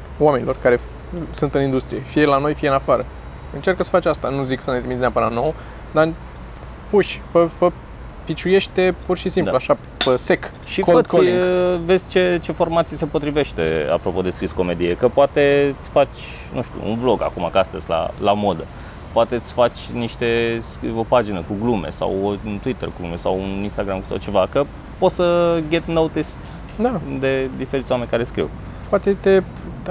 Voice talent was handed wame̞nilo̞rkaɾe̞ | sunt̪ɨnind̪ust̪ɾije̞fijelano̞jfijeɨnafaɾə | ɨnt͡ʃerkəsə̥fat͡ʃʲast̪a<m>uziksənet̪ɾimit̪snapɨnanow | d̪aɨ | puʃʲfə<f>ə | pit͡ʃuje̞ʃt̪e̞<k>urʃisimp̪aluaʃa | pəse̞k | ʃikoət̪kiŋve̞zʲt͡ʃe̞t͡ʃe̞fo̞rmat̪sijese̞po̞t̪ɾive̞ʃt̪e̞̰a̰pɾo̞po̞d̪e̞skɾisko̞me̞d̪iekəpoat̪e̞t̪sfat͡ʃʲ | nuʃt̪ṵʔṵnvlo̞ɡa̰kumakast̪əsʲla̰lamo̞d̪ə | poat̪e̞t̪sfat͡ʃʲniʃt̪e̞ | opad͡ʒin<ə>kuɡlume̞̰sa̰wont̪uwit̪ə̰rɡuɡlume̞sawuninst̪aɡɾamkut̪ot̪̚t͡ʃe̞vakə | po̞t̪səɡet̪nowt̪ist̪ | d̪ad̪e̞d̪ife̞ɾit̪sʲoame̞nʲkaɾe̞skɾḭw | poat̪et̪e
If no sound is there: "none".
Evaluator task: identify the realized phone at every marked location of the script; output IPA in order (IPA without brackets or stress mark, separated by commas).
n, f, p, ə